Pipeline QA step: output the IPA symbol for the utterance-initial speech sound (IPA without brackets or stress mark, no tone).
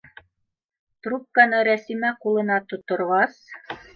t̪